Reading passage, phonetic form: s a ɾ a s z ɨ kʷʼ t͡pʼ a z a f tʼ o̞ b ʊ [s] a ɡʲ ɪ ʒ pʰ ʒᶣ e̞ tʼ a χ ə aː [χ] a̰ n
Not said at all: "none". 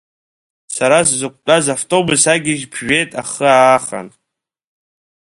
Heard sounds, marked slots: s, χ

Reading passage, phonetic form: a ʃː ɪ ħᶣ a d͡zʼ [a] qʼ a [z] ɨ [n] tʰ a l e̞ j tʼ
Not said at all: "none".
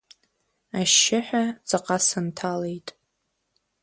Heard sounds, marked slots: a, s, n

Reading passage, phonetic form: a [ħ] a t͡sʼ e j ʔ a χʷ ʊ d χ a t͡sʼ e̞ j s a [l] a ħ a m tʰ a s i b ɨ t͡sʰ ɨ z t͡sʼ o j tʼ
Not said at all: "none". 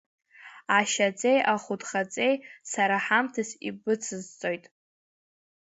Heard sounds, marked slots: ʃ, ɾ

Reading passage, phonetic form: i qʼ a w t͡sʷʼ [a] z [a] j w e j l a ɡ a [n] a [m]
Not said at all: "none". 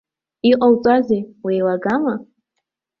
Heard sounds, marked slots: a, e, m, none

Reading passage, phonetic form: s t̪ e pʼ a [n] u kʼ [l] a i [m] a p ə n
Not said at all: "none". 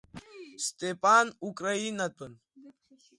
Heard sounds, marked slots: n, ɾ, n

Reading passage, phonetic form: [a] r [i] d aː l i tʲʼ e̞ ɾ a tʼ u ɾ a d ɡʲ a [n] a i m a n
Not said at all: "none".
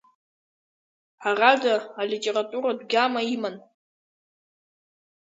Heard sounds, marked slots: a, a, m

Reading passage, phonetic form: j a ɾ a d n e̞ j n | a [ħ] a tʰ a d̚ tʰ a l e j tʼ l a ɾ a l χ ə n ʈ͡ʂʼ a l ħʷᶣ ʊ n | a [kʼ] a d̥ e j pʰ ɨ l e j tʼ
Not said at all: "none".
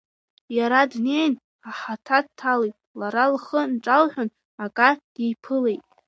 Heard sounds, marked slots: ħ, kʼ

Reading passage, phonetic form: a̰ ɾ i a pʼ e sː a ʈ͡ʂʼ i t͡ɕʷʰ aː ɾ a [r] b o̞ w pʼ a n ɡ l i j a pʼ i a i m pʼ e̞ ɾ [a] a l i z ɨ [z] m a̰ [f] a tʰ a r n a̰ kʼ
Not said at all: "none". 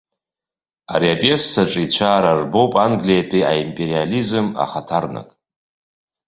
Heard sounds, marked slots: r, i, none, χ

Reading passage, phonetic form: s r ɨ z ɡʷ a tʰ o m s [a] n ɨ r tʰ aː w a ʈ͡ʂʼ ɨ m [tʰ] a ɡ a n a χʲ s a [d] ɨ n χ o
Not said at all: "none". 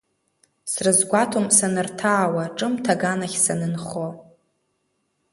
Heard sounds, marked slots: a, tʰ, n

